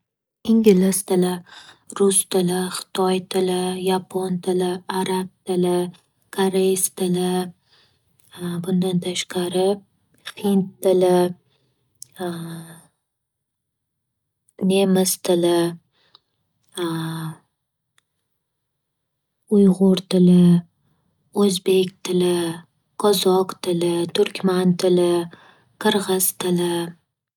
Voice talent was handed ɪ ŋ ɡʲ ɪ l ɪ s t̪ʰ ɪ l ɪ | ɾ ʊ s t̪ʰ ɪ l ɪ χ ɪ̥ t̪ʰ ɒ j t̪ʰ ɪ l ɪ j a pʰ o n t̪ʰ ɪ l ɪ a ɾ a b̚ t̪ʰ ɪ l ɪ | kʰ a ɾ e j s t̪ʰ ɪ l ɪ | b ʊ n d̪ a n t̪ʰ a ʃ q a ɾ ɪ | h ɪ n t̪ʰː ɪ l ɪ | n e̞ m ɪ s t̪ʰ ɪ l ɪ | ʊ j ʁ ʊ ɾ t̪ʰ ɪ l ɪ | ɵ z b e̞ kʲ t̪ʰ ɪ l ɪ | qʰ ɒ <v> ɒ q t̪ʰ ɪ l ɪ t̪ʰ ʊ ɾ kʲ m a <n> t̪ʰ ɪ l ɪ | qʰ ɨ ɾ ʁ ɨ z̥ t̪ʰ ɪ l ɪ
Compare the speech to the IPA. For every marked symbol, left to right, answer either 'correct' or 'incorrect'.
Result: incorrect, correct

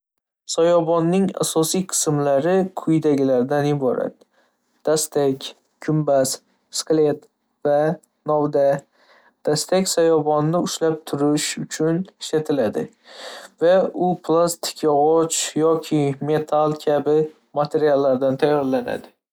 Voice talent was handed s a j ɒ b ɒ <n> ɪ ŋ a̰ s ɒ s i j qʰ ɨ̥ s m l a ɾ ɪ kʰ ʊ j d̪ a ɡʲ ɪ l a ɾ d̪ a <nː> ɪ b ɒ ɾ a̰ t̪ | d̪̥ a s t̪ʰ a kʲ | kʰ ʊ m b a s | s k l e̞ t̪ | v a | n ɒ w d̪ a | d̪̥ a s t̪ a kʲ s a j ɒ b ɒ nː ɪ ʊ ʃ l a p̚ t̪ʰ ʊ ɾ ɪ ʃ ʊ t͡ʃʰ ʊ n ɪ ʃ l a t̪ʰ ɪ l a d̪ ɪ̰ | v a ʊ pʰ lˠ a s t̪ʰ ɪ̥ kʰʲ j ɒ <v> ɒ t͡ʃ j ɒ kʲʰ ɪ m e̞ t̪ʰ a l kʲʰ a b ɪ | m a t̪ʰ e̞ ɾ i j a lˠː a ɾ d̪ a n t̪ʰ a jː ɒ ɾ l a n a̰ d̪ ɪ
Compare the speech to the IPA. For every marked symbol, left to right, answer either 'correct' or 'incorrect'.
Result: incorrect, incorrect, incorrect

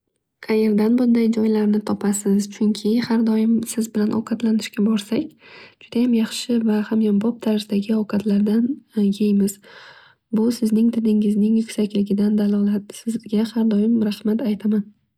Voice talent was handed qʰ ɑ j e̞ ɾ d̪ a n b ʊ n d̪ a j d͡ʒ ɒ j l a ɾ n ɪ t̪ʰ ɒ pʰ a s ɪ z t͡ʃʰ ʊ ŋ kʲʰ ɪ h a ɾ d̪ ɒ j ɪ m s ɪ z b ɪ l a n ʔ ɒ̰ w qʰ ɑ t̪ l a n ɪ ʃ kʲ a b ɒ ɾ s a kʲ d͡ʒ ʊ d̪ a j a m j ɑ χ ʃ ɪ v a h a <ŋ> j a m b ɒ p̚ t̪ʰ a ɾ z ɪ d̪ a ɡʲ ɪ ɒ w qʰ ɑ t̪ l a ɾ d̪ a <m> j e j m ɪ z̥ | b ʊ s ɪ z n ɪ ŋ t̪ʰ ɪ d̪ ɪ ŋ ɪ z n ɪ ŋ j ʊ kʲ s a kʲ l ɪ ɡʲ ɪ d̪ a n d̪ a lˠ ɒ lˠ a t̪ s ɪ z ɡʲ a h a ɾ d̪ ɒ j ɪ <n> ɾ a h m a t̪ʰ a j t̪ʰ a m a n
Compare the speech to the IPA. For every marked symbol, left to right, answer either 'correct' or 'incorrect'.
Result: incorrect, incorrect, incorrect

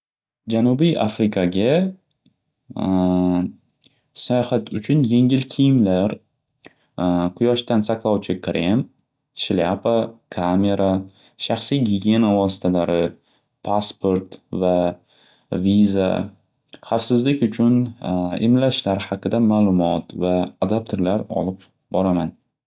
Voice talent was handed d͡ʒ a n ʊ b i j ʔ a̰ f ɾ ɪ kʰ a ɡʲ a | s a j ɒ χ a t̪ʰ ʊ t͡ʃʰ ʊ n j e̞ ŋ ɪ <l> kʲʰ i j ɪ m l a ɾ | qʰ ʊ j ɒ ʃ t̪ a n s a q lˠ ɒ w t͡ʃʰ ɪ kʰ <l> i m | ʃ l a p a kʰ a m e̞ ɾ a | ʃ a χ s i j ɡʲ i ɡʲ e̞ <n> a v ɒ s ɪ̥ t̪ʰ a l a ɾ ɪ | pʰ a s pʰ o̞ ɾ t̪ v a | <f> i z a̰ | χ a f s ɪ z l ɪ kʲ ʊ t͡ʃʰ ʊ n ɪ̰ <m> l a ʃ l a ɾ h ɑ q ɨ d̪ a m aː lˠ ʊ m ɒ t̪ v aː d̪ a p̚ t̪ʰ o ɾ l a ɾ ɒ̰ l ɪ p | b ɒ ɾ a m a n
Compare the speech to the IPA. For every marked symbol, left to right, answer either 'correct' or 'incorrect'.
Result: correct, incorrect, correct, incorrect, correct

